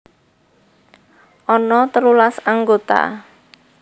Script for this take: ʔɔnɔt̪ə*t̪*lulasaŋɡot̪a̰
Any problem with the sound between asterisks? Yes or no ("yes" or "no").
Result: yes